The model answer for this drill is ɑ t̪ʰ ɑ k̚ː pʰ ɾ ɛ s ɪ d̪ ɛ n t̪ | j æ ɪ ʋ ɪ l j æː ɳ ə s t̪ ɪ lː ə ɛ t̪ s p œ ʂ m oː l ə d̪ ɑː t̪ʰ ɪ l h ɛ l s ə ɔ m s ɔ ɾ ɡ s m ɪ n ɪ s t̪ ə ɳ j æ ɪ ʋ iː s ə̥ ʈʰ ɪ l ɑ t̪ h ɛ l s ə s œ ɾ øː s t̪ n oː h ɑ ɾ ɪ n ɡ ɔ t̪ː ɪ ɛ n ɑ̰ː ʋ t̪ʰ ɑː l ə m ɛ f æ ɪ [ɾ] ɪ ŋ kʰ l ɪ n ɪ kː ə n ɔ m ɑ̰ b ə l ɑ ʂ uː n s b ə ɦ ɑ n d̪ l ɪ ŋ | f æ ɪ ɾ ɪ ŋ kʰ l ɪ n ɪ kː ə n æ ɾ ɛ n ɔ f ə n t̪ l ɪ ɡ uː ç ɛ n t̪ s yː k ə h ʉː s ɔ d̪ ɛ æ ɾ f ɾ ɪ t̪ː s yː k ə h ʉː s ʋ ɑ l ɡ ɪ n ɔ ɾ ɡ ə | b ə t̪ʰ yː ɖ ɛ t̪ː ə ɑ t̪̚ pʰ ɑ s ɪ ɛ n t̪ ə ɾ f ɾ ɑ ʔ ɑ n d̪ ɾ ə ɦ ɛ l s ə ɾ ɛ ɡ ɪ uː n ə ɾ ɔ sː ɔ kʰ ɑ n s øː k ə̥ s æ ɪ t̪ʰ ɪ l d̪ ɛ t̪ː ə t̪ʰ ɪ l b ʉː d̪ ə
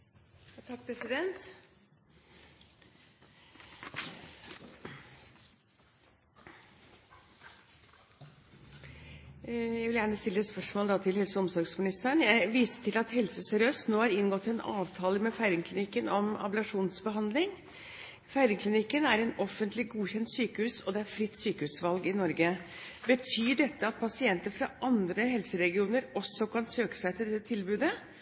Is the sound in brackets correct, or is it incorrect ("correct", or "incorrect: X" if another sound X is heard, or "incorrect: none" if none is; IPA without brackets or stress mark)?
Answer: correct